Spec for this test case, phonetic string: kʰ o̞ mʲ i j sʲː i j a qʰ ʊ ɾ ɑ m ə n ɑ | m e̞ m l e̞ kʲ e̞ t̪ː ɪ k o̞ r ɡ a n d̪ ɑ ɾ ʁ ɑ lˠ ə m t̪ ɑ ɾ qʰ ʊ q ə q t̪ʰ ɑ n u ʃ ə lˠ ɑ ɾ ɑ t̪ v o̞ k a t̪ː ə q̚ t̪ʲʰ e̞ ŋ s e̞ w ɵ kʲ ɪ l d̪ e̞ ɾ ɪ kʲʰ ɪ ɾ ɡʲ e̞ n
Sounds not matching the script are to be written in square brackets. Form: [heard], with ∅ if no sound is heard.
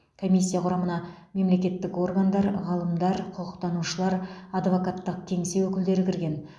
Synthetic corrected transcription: kʰ o̞ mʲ i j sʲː i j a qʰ ʊ ɾ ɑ m ə n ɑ | m e̞ m l e̞ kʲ e̞ t̪ː ɪ k o̞ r ɡ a n d̪ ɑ ɾ ʁ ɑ lˠ ə m [d̪] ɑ ɾ qʰ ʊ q ə q [t̪] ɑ n u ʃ ə lˠ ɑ ɾ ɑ [d̪] v o̞ k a t̪ː ə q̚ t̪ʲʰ e̞ ŋ s e̞ w ɵ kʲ ɪ l d̪ e̞ ɾ ɪ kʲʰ ɪ ɾ ɡʲ e̞ n